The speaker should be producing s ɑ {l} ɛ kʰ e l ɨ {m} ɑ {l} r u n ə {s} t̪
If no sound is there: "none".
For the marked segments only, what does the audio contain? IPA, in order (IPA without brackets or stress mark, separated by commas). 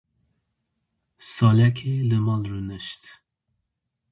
l, m, l, ʃ